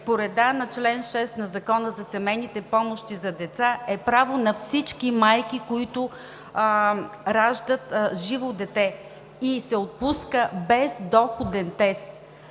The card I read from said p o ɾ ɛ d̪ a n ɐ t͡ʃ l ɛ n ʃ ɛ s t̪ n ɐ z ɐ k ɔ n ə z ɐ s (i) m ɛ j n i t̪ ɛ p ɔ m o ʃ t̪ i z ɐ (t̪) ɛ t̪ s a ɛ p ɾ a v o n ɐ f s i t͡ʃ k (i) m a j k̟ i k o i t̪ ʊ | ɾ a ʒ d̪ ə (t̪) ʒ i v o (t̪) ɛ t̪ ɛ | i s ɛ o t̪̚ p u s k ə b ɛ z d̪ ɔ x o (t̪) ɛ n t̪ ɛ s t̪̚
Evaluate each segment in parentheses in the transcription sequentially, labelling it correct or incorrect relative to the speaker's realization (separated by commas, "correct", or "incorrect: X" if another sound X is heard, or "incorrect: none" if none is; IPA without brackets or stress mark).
incorrect: ɛ, incorrect: d̪, correct, correct, incorrect: d̪, incorrect: d̪